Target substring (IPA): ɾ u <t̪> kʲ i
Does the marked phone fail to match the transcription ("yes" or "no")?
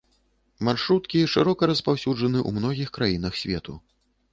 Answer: no